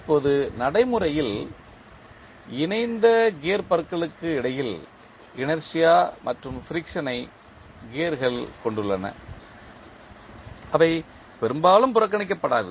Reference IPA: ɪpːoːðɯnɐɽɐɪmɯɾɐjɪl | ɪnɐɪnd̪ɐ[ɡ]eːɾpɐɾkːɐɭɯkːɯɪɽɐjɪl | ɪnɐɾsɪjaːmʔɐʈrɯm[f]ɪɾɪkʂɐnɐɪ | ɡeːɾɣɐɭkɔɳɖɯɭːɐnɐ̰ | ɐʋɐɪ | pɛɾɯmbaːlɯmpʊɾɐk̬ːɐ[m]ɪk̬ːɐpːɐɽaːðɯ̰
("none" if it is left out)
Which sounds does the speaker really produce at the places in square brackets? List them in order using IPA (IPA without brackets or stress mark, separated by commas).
ɡ, f, ɳ